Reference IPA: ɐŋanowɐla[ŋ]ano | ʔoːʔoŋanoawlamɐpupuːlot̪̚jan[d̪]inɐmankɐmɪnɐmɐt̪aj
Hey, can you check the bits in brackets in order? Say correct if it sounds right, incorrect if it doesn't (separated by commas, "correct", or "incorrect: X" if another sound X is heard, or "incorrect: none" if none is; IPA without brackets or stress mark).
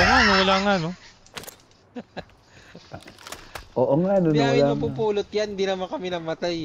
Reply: correct, correct